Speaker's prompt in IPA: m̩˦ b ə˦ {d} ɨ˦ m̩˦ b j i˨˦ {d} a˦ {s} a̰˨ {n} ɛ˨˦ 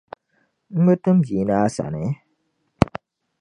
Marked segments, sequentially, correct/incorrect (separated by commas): incorrect, incorrect, correct, correct